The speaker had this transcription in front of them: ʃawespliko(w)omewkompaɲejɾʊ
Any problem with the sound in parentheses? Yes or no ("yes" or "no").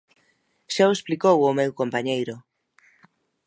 no